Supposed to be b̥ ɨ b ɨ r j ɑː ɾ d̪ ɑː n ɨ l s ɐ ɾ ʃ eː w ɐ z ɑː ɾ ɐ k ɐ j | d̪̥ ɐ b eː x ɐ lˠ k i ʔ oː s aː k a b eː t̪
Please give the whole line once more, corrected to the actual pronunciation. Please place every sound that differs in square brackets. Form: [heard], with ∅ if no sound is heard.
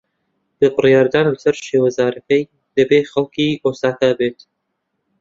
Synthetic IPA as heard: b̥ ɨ b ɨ r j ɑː ɾ d̪ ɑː n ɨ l s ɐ ɾ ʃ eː w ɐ z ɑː ɾ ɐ k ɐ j | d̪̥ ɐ b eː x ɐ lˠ k i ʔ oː s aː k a b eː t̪